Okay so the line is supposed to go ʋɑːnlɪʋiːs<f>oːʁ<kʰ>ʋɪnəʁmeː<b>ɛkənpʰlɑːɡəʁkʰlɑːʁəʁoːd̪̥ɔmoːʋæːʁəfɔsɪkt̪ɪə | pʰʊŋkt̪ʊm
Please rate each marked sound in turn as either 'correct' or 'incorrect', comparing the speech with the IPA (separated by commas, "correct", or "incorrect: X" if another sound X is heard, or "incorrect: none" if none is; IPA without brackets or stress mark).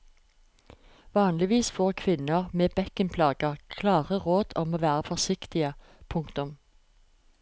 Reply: correct, correct, correct